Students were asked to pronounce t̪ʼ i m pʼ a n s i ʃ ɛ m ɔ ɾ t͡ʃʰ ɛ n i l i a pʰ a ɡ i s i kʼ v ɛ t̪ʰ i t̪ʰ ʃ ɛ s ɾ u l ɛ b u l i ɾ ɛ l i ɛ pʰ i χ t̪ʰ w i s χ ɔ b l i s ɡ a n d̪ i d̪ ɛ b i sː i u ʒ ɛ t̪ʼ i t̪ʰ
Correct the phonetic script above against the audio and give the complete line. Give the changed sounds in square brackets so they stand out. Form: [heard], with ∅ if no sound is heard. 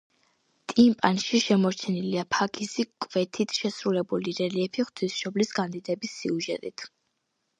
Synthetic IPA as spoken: t̪ʼ i m pʼ a n [ʃ] i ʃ ɛ m ɔ ɾ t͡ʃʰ ɛ n i l i a pʰ a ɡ i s i kʼ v ɛ t̪ʰ i t̪ʰ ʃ ɛ s ɾ u l ɛ b u l i ɾ ɛ l i ɛ pʰ i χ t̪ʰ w i s [ʃ] ɔ b l i s ɡ a n d̪ i d̪ ɛ b i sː i u ʒ ɛ t̪ʼ i t̪ʰ